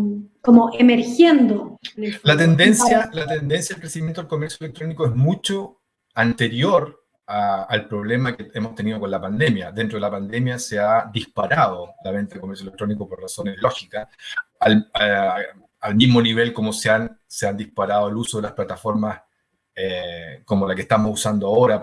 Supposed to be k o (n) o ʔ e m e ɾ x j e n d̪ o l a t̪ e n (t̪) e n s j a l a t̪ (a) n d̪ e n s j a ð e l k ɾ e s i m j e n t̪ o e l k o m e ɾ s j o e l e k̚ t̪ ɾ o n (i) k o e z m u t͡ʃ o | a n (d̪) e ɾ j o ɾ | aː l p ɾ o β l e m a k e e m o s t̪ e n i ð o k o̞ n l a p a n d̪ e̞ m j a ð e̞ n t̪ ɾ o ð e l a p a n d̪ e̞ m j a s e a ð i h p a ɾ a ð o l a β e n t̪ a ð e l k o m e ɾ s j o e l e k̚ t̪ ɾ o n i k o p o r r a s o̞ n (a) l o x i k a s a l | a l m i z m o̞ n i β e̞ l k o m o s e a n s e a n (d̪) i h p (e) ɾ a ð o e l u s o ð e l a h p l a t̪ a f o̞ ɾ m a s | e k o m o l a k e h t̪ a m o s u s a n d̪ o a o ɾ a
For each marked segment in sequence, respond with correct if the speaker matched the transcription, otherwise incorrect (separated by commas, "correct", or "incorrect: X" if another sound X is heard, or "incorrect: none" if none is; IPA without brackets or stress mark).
incorrect: m, incorrect: d̪, incorrect: e, correct, incorrect: t̪, incorrect: e, correct, incorrect: a